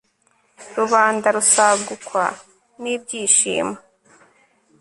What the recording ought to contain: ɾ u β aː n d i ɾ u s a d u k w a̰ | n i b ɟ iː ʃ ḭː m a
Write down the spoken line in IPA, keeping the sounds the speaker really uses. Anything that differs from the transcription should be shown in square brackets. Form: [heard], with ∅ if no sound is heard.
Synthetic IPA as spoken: ɾ u β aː n d [a] ɾ u s a [ɡ] u k w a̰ | n i b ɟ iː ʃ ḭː m a